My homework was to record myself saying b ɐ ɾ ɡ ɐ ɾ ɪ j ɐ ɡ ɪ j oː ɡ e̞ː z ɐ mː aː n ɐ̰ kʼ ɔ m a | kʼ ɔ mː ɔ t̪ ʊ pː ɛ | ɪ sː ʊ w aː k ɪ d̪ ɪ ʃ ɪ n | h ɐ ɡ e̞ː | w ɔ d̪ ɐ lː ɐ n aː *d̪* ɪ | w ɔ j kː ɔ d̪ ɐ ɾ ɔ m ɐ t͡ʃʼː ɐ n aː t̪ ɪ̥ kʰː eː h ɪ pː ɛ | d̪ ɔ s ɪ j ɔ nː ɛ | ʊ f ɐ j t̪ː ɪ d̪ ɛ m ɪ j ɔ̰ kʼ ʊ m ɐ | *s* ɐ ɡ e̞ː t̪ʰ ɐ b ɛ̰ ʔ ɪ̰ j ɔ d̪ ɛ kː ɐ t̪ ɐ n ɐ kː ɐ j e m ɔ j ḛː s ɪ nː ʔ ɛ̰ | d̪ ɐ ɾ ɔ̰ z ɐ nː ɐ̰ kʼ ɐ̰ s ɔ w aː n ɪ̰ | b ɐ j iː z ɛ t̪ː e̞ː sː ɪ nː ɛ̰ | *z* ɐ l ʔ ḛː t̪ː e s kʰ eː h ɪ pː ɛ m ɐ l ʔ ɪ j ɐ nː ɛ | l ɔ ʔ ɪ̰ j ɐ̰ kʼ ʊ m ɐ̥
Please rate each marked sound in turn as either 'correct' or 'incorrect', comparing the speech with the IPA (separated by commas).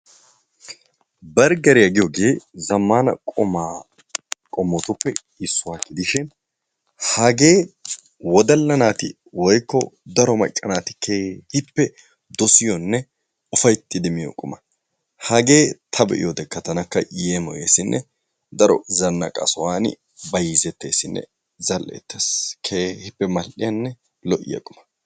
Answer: incorrect, incorrect, correct